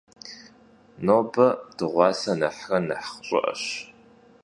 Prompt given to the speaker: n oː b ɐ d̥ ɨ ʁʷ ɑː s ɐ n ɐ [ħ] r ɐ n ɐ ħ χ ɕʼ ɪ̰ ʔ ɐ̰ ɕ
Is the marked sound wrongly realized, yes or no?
no